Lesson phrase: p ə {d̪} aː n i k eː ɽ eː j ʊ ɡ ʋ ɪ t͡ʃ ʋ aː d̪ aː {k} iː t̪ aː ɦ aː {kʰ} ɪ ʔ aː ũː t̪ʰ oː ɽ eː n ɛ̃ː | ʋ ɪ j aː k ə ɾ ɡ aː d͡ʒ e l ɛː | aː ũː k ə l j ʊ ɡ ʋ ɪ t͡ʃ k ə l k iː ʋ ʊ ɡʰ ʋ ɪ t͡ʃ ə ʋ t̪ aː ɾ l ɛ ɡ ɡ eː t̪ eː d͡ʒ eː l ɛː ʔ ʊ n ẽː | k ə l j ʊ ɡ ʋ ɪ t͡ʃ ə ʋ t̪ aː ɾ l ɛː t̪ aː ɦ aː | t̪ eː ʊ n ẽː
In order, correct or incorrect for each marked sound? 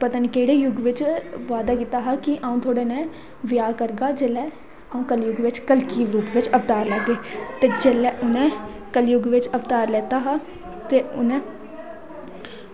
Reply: incorrect: t̪, correct, incorrect: k

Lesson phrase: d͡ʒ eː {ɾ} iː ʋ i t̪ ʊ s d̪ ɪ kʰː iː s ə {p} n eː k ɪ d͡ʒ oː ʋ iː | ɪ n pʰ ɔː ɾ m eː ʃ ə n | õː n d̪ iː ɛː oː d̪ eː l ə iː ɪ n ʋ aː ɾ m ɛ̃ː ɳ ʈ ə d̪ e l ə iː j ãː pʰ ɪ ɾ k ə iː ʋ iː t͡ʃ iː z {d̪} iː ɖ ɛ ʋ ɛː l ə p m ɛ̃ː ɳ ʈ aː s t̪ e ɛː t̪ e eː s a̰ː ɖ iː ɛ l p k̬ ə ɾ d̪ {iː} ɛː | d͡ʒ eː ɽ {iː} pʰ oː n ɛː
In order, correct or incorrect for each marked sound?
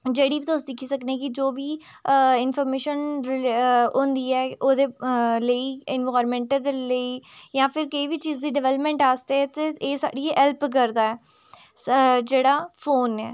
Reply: incorrect: ɽ, incorrect: k, correct, incorrect: aː, incorrect: aː

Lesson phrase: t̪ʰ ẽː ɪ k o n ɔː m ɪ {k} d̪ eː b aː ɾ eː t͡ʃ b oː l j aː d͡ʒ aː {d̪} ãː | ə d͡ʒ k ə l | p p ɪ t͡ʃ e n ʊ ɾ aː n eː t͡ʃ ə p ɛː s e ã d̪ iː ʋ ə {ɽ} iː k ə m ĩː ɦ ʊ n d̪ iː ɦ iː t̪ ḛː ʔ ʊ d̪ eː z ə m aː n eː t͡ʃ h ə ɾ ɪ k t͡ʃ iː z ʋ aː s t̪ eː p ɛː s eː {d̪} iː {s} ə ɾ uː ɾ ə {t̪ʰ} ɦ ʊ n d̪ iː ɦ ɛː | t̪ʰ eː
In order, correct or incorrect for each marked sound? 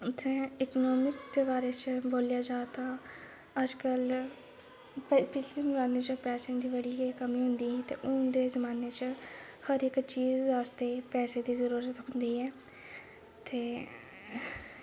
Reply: correct, incorrect: t̪, correct, correct, incorrect: z, incorrect: t̪

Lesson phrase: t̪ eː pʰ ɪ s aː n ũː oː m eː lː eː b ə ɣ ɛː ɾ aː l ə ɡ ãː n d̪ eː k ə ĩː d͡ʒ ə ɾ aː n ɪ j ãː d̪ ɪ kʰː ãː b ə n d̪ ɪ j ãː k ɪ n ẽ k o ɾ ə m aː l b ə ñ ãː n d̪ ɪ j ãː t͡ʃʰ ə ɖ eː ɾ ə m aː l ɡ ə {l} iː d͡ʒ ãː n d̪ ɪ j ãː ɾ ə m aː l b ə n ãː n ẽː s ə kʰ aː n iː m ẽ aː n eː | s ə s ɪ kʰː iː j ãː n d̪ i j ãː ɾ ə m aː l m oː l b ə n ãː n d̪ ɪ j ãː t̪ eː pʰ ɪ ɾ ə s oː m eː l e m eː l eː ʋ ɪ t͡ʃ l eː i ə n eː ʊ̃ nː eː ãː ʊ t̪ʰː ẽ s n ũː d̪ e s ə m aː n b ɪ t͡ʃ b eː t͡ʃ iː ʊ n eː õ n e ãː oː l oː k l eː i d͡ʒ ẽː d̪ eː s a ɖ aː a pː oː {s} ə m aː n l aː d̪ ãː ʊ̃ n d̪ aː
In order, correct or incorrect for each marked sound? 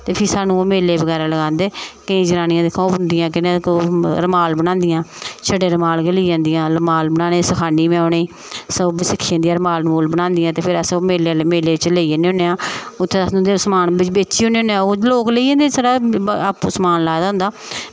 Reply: correct, correct

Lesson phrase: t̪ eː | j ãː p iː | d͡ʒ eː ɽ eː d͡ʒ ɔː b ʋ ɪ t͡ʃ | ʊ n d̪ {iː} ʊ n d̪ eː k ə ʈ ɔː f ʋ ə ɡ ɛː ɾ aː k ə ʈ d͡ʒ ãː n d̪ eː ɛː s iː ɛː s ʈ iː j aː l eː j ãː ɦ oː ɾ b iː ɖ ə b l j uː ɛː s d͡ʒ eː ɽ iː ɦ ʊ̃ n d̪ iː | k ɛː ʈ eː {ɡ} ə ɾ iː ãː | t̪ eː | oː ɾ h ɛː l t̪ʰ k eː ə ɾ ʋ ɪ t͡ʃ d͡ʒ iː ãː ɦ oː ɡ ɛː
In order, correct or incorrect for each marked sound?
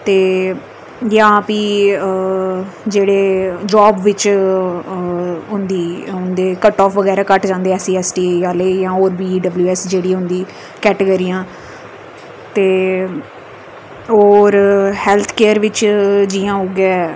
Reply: correct, correct

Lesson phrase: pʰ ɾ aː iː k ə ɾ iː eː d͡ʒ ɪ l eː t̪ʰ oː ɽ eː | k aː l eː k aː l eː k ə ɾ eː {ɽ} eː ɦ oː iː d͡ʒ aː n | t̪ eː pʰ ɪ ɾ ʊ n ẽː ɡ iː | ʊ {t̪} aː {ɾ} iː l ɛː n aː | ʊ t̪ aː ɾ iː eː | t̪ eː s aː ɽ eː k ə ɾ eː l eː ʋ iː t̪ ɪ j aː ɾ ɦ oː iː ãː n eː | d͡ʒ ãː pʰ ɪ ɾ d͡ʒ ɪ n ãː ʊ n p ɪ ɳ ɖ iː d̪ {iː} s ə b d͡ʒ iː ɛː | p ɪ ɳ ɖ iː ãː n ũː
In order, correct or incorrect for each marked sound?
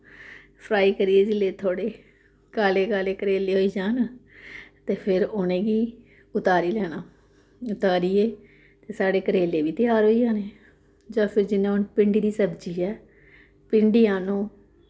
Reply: incorrect: l, correct, correct, correct

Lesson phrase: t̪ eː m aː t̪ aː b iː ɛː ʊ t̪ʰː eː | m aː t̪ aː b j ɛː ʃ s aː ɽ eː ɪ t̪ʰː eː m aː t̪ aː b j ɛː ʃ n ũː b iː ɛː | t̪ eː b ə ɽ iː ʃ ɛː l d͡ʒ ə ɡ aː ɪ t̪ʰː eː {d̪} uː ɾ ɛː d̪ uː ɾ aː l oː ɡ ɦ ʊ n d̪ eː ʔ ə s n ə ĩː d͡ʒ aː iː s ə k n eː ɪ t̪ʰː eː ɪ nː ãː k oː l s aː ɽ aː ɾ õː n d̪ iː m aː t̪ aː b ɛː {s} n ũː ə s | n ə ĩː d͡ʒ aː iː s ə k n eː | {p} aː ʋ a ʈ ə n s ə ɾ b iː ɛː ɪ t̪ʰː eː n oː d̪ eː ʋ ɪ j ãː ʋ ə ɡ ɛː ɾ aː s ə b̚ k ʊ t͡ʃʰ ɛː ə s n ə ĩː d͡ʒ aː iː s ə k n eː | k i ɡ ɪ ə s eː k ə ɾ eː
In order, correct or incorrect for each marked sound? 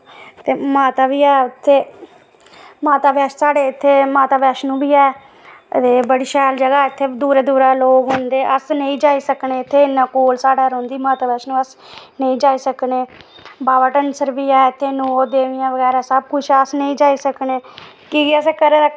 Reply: correct, incorrect: ʃ, incorrect: b

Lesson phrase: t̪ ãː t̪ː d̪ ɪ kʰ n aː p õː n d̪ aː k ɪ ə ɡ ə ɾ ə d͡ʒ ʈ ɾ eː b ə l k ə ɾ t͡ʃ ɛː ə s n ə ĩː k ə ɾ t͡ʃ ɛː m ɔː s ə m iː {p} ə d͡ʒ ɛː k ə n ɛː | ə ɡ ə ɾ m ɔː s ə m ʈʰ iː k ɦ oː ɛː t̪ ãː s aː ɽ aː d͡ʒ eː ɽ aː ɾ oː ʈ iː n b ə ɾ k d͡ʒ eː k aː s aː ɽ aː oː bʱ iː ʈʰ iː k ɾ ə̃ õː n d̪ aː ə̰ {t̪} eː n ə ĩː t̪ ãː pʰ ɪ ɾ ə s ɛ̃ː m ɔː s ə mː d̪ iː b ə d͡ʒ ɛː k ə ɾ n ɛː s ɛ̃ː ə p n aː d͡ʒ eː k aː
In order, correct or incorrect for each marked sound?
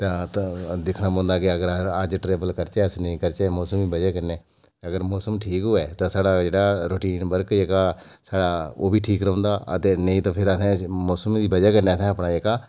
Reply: incorrect: b, correct

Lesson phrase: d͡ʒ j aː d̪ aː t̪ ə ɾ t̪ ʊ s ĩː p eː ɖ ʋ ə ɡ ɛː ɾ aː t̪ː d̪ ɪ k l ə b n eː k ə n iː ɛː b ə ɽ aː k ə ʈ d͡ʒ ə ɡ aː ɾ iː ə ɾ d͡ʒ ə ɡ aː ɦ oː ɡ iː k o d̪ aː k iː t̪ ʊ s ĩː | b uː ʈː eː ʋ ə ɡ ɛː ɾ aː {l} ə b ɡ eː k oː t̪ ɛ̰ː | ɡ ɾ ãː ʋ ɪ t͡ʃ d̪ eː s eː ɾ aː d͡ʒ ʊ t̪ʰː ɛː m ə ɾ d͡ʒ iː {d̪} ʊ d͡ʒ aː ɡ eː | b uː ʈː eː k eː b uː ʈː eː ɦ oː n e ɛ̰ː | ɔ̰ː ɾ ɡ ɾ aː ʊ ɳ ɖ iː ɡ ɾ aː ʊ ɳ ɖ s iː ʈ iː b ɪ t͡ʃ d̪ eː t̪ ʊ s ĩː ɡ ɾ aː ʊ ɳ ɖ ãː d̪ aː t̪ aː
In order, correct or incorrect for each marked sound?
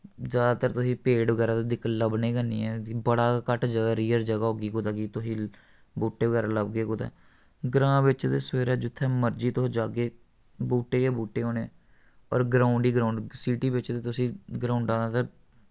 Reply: correct, incorrect: t̪

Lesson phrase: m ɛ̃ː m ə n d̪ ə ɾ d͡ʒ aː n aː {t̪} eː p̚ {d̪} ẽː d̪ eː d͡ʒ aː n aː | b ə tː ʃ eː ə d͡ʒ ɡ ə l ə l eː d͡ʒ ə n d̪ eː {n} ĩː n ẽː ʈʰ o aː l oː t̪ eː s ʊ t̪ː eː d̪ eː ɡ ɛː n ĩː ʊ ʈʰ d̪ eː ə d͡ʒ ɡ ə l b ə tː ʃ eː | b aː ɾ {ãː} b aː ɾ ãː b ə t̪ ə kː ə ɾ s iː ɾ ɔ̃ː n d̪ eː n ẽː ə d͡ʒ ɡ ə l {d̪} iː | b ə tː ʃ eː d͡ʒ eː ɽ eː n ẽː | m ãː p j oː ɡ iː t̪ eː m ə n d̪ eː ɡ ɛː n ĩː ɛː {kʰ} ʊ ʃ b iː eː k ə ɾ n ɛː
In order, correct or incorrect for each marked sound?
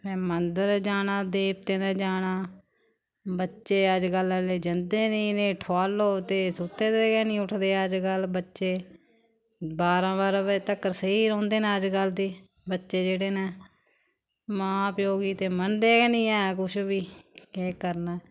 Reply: incorrect: d̪, incorrect: t̪, correct, correct, correct, incorrect: k

